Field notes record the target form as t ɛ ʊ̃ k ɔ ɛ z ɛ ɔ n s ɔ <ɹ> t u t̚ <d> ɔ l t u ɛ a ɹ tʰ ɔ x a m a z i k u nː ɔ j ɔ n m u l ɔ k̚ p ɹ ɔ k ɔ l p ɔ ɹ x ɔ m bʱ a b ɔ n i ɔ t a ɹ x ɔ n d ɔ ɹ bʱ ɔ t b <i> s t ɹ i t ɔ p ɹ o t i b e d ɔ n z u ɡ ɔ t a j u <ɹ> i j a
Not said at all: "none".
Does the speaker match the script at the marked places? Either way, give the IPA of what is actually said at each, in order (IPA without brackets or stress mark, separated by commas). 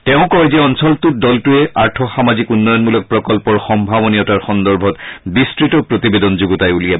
l, d, i, l